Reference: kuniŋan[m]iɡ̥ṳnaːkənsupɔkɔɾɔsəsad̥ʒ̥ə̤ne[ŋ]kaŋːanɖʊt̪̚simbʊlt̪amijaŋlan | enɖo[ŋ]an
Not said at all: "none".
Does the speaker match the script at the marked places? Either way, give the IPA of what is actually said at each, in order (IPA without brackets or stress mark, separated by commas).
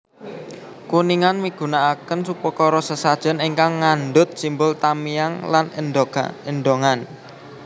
m, ŋ, ŋ